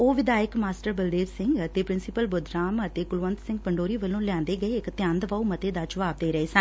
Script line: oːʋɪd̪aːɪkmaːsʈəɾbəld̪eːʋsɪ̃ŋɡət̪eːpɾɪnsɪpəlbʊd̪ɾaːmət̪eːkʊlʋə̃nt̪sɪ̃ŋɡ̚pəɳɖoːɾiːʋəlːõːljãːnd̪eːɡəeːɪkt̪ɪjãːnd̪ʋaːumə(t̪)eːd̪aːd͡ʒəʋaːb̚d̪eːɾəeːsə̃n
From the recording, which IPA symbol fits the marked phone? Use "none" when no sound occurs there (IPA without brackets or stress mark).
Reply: t̪